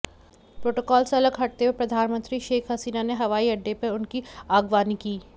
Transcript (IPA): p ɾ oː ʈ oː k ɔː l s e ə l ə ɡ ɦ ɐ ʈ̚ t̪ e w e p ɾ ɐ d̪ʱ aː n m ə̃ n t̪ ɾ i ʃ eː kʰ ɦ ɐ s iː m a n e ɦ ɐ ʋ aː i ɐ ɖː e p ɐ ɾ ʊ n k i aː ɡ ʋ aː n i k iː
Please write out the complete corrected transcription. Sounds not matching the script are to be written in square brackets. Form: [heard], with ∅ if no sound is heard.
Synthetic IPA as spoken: p ɾ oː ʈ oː k ɔː l s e [ɐ] l ə ɡ ɦ ɐ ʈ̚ t̪ e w e p ɾ ɐ d̪ʱ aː n m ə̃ n t̪ ɾ i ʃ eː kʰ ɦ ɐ s iː [n] a n e ɦ ɐ ʋ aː i ɐ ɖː e p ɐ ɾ ʊ n k i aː ɡ ʋ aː n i k iː